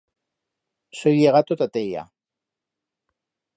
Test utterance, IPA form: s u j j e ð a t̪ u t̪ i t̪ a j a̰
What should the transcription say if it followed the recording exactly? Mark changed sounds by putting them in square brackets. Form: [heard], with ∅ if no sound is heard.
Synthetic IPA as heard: s [o] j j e [ɣ] a t̪ [o] t̪ [a] t̪ [e] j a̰